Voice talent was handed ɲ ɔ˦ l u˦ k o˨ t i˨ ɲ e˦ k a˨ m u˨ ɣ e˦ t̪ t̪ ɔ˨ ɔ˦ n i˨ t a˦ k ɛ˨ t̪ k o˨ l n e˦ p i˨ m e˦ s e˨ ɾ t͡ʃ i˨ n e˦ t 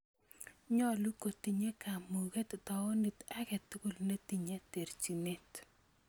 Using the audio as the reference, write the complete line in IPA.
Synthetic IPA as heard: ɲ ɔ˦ l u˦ k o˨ t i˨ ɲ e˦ k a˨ m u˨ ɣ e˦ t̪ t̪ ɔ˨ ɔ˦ n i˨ t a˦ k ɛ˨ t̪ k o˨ l n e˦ t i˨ ɲ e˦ t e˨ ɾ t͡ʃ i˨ n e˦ t